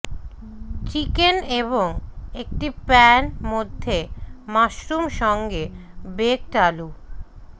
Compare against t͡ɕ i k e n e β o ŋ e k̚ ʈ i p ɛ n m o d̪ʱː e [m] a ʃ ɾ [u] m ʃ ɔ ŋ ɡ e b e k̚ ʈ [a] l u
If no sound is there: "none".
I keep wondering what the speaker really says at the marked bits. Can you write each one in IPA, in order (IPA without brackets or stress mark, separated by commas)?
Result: m, u, a